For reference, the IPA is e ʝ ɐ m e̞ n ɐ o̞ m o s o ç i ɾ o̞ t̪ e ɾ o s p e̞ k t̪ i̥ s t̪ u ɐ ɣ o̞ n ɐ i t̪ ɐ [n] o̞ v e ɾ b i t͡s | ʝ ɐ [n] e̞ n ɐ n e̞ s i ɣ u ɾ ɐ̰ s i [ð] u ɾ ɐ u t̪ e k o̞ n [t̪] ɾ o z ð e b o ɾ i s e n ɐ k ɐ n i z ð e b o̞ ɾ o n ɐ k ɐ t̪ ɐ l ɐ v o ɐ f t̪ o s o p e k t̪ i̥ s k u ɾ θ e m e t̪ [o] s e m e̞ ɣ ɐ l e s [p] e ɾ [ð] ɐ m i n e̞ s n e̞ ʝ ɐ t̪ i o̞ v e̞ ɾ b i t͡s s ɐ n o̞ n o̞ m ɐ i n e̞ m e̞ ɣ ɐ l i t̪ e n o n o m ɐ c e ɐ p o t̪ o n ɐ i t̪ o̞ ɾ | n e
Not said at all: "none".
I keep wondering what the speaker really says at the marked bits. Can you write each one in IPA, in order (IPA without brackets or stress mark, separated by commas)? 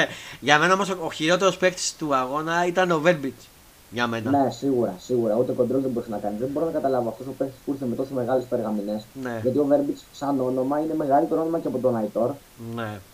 n, m, ɣ, d̪, o, p, ɣ